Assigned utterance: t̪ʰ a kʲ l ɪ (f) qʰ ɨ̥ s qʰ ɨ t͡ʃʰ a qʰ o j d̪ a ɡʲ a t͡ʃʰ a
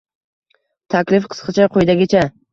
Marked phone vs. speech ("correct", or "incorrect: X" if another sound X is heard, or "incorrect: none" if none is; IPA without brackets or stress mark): correct